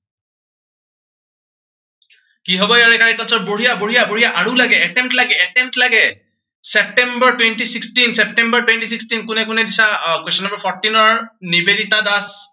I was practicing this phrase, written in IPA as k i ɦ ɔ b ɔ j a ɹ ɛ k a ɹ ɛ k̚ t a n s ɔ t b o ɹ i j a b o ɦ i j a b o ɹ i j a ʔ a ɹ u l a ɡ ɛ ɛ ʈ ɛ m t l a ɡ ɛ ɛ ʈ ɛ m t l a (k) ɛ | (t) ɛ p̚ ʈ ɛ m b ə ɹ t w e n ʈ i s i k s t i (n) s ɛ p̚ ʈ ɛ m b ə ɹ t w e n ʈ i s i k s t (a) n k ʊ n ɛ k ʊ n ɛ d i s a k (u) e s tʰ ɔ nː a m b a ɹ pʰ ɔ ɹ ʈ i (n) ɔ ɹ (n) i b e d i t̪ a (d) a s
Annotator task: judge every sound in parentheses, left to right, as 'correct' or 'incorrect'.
incorrect: ɡ, incorrect: s, correct, incorrect: i, incorrect: w, correct, correct, correct

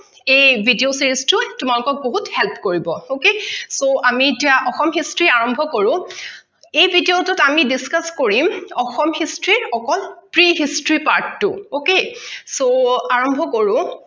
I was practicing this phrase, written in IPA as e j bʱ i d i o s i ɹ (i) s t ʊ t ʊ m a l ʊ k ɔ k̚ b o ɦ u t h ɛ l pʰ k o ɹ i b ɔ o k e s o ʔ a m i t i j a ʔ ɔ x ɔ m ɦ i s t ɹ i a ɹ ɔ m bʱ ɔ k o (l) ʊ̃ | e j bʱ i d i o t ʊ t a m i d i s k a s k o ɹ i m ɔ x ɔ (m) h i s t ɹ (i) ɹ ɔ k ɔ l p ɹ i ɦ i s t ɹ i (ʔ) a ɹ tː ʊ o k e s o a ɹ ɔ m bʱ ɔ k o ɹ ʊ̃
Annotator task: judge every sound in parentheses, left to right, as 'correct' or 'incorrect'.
correct, incorrect: ɹ, correct, correct, incorrect: p

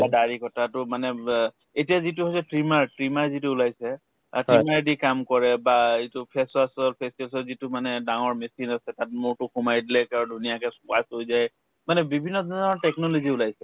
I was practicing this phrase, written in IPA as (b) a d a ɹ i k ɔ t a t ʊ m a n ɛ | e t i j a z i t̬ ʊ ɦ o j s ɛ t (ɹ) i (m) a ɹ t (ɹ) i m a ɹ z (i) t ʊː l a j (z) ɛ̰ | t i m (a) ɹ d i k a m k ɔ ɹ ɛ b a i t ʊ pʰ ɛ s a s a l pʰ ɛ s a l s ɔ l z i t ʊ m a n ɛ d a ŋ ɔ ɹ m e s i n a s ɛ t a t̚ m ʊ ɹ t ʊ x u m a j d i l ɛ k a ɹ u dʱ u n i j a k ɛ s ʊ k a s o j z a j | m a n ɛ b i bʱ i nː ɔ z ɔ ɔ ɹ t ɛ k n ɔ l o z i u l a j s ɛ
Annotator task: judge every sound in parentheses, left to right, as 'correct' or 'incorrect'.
correct, correct, correct, correct, correct, incorrect: s, correct

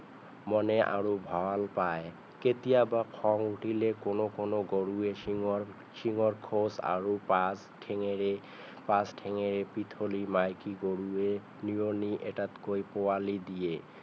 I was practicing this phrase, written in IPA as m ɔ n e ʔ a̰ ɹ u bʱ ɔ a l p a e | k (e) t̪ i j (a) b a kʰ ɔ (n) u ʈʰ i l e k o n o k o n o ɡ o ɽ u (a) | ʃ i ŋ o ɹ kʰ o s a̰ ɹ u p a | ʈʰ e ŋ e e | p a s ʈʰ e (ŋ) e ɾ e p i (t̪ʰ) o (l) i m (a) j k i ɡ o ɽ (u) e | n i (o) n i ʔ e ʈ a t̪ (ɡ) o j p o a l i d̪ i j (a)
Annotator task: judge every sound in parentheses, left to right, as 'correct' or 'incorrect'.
correct, correct, incorrect: ŋ, incorrect: e, correct, correct, correct, correct, correct, correct, incorrect: k, incorrect: e

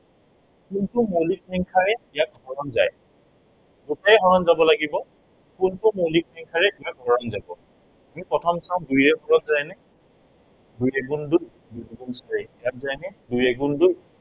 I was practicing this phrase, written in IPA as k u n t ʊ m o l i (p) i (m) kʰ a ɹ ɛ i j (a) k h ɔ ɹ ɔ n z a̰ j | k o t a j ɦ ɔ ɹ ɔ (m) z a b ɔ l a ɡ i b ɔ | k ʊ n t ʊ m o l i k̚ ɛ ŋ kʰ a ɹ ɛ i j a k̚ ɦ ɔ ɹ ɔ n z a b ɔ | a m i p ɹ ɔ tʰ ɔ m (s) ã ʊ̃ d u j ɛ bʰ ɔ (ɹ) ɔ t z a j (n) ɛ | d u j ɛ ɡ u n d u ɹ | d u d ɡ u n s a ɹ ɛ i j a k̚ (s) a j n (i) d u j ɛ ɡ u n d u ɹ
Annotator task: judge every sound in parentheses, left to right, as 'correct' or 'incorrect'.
incorrect: k, incorrect: ŋ, correct, incorrect: n, correct, correct, correct, incorrect: z, incorrect: ɛ

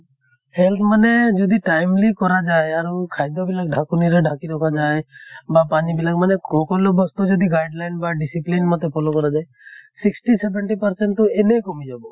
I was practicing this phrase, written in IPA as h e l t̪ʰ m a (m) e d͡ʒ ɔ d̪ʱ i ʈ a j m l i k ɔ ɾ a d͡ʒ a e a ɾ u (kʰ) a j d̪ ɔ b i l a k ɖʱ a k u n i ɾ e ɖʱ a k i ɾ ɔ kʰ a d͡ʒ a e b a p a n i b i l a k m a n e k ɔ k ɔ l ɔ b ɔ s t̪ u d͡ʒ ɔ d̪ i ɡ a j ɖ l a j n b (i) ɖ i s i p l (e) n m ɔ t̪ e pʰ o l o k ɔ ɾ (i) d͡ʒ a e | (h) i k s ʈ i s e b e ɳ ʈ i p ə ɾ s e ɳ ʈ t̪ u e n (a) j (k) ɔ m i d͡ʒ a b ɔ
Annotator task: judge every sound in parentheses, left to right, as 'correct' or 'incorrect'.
incorrect: n, correct, incorrect: a, incorrect: i, incorrect: a, incorrect: s, incorrect: e, correct

